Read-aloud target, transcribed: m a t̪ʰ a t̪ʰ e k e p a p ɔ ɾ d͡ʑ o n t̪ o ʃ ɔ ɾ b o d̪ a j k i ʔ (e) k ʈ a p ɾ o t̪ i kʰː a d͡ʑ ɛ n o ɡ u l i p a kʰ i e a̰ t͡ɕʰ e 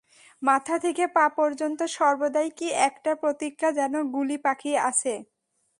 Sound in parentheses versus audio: incorrect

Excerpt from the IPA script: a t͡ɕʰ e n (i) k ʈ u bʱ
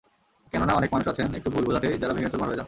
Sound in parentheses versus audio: incorrect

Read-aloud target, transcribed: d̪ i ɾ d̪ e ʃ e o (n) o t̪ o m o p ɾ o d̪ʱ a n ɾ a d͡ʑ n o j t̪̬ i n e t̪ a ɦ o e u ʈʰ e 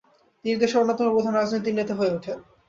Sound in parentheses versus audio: incorrect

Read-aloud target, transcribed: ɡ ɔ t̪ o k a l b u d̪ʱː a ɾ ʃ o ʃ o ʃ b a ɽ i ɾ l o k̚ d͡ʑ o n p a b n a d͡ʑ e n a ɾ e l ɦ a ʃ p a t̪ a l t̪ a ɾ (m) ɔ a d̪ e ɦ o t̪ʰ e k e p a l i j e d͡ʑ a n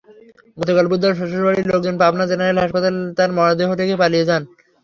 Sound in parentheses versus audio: correct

